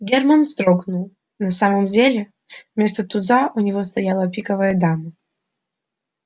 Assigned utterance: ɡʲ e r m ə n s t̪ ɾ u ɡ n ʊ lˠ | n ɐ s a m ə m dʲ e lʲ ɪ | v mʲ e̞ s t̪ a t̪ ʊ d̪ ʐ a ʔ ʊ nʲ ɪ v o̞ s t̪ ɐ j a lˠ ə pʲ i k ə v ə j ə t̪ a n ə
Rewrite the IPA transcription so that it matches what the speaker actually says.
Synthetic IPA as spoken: ɡʲ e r m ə n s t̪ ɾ o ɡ n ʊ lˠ | n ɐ s a m ə m dʲ e lʲ ɪ | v mʲ e̞ s t̪ ə t̪ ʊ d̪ z a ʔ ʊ nʲ ɪ v o̞ s t̪ ɐ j a lˠ ə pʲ i k ə v ə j ə d̪ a m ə

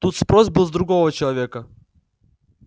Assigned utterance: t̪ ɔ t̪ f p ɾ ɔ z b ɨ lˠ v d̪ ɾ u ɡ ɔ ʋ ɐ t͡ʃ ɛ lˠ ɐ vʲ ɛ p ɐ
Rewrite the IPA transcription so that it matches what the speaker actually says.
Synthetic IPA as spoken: t̪ u t̪ s p ɾ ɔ z b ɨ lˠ z d̪ ɾ u ɡ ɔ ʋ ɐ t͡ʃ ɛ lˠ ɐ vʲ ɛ k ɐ

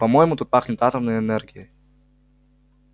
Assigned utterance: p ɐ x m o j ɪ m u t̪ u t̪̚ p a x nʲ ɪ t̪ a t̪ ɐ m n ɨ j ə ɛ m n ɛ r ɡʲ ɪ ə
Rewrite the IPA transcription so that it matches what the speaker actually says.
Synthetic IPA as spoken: p ɐ m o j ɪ m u t̪ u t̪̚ p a x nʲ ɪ t̪ a t̪ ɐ m n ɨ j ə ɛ n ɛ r ɡʲ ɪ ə

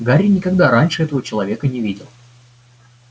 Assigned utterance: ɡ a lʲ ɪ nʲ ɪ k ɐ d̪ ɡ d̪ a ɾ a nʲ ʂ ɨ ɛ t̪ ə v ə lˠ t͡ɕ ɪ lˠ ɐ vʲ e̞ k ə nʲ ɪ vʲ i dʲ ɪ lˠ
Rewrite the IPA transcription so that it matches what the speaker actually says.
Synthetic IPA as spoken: ɡ a ɾʲ ɪ nʲ ɪ k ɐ ɡ d̪ a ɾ a nʲ ʂ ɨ ɛ t̪ ə v ə t͡ɕ ɪ lˠ ɐ vʲ e̞ k ə nʲ ɪ vʲ i dʲ ɪ lˠ

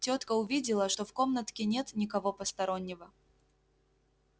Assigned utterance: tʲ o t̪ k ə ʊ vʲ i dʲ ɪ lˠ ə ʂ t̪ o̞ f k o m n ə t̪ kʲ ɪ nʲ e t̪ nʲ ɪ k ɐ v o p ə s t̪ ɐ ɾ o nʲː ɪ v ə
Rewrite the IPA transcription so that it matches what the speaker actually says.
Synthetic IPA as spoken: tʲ o t̪ k ə ʊ vʲ i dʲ ɪ lˠ ə ʂ t̪ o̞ f k o m n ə t̪ kʲ ɪ nʲ e t̪ nʲ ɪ k ɐ v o p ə s t̪ ɐ ɾ o nʲː ɪ v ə

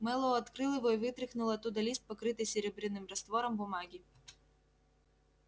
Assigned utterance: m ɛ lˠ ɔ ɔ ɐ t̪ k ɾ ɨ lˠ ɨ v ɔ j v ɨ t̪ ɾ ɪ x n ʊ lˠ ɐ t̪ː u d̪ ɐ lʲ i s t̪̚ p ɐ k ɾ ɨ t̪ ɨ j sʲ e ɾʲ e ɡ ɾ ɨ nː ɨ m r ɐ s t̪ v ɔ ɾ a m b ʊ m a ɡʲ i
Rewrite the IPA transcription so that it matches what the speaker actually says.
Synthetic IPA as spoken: m ɛ lˠ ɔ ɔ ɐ t̪ k ɾ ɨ lˠ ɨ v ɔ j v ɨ t̪ ɾ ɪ x n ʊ lˠ ɐ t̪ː u d̪ ɐ lʲ i s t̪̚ p ɐ k ɾ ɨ t̪ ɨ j sʲ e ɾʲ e b ɾ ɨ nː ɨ m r ɐ s t̪ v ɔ ɾ ɐ m b ʊ m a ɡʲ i

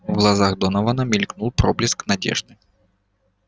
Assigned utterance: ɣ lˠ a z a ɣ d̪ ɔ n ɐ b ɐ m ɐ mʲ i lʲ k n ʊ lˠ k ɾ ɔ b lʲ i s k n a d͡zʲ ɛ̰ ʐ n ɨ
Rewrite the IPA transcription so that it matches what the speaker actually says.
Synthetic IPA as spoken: ɣ lˠ a z a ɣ d̪ ɔ n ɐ v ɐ n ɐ mʲ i lʲ k n u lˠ p ɾ ɔ b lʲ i s k n a d͡zʲ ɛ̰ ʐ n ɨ

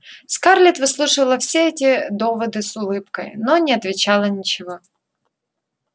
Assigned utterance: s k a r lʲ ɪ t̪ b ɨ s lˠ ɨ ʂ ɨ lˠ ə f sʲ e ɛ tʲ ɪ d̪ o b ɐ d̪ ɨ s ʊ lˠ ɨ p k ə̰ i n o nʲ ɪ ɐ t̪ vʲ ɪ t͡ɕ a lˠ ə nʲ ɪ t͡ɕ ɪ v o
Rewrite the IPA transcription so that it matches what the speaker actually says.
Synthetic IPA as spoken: s k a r lʲ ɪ t̪ v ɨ s lˠ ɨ ʂ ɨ lˠ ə f sʲ e ɛ tʲ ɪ d̪ o v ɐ d̪ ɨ s ʊ lˠ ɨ p k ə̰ j n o nʲ ɪ ɐ t̪ vʲ ɪ t͡ɕ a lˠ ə nʲ ɪ t͡ɕ ɪ v o

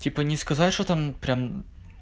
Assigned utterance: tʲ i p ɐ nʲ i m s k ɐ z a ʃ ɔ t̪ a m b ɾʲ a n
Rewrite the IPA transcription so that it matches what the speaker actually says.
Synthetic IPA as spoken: tʲ i p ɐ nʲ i s k ɐ z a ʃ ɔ t̪ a m p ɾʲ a m

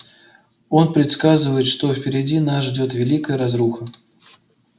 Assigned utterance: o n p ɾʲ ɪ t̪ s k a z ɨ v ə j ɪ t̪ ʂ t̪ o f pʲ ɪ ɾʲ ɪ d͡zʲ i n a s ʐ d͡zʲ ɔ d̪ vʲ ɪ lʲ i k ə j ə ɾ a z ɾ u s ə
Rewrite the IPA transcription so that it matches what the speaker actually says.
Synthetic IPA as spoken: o n p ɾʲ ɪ t̪ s k a z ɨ v ə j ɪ t̪ ʂ t̪ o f pʲ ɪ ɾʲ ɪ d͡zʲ i n a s ʐ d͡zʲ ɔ t̪ vʲ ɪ lʲ i k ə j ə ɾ a z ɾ u x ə

